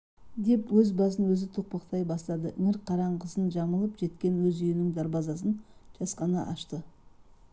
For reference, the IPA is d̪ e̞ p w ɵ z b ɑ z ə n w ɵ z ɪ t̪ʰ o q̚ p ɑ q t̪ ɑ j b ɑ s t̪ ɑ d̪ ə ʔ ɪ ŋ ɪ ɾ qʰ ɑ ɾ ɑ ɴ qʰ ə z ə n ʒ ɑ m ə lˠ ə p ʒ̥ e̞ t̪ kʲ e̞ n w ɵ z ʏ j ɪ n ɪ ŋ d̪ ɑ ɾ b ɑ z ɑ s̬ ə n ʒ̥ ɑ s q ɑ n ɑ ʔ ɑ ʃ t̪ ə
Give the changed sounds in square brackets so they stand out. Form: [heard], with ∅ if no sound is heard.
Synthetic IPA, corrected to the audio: d̪ e̞ p w ɵ z b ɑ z ə n w ɵ z ɪ t̪ʰ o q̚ p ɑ q t̪ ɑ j b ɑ s t̪ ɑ d̪ ə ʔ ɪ ŋ ɪ ɾ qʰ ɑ ɾ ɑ ɴ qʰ ə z ə n ʒ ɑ m ə lˠ ə p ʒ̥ e̞ t̪ kʲ e̞ n w ɵ z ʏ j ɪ n ɪ ŋ d̪ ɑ ɾ b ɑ z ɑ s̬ ə n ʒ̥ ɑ s q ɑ n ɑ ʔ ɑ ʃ t̪ ə

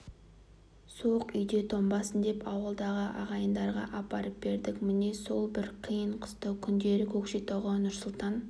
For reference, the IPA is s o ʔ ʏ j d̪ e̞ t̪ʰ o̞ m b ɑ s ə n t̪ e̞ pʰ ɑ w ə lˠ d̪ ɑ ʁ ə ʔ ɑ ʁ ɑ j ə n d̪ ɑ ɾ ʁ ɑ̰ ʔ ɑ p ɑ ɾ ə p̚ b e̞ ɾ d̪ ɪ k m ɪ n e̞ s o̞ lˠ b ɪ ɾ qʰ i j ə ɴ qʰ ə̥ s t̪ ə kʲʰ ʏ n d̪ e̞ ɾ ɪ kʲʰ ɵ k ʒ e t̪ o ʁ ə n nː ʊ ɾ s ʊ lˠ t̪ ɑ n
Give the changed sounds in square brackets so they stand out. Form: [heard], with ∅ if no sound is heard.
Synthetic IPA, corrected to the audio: s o [q] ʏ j d̪ e̞ t̪ʰ o̞ m b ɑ s ə n [d̪] e̞ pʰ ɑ w ə lˠ d̪ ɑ ʁ ə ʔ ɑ ʁ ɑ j ə n d̪ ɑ ɾ ʁ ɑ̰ ʔ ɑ p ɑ ɾ ə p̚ b e̞ ɾ d̪ ɪ k m ɪ n e̞ s o̞ lˠ b ɪ ɾ qʰ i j ə ɴ qʰ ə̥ s t̪ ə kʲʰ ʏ n d̪ e̞ ɾ ɪ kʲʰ ɵ k [ʃ] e t̪ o ʁ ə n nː ʊ ɾ s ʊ lˠ t̪ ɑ n

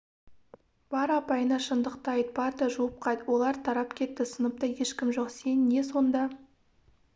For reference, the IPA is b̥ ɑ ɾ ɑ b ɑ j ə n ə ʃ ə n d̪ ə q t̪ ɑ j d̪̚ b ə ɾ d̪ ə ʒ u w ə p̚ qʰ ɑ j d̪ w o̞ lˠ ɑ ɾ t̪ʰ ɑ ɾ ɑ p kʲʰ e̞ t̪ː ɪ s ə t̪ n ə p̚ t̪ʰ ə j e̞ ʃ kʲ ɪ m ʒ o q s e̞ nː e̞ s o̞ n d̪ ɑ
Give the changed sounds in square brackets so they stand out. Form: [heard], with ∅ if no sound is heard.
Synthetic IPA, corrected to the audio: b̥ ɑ ɾ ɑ [p] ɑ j ə n [ɑ] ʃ ə n d̪ ə q t̪ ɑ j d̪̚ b [ɑ] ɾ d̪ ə ʒ u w ə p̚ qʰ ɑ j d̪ w o̞ lˠ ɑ ɾ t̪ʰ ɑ ɾ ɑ p kʲʰ e̞ t̪ː ɪ s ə [∅] n ə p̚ [t̪] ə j e̞ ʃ kʲ ɪ m ʒ o q s e̞ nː e̞ s o̞ n d̪ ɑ

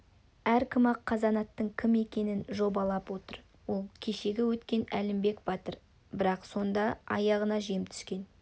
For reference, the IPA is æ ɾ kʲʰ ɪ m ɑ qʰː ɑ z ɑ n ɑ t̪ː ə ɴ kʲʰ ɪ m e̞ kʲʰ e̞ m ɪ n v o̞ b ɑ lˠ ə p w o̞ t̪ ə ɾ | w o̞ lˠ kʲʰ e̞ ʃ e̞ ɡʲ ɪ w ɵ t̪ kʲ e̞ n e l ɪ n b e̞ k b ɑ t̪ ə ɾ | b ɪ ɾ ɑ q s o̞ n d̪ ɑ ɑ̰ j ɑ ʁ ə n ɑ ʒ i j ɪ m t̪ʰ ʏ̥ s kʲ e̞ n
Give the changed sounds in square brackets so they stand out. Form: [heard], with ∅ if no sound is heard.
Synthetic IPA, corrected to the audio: æ ɾ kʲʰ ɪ m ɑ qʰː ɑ z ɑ n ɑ t̪ː ə ɴ kʲʰ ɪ m e̞ [kʲ] e̞ [n] ɪ n [ʒ] o̞ b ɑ lˠ [ɑ] p w o̞ t̪ ə ɾ | w o̞ lˠ kʲʰ e̞ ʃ e̞ ɡʲ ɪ w ɵ t̪ kʲ e̞ n [æ] l ɪ [m] b e̞ k b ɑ t̪ ə ɾ | b ɪ ɾ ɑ q s o̞ n d̪ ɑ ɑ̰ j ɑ ʁ ə n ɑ ʒ i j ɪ m t̪ʰ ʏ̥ s kʲ e̞ n

